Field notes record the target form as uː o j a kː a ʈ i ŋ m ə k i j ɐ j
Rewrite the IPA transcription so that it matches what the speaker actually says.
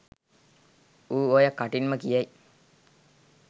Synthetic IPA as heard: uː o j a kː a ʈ i n m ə k i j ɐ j